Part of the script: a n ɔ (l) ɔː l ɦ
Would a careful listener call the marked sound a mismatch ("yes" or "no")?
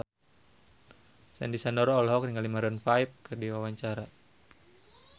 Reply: yes